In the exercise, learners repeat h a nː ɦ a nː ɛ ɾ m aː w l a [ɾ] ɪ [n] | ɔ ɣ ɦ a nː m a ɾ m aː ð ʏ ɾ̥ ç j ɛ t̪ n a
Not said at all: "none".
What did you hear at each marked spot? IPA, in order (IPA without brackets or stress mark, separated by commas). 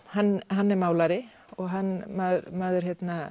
ɾ, none